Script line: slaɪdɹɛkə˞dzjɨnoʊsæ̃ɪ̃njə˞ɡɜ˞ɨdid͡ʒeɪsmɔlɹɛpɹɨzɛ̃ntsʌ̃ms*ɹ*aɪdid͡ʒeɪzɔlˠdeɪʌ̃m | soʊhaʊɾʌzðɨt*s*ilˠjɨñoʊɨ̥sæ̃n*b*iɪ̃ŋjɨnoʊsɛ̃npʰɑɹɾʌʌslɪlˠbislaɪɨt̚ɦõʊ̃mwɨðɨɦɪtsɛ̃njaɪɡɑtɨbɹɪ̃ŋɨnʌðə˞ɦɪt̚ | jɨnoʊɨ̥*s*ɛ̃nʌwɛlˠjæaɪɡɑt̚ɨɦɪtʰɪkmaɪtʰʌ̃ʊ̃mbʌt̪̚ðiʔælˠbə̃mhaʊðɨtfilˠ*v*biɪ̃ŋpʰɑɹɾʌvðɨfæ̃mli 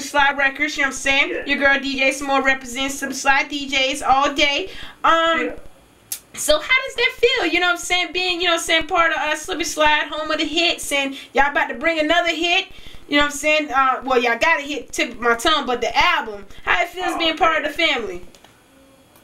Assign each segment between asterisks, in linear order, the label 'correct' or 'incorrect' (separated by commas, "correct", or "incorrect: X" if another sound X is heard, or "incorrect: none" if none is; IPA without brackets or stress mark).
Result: incorrect: l, incorrect: f, correct, correct, incorrect: z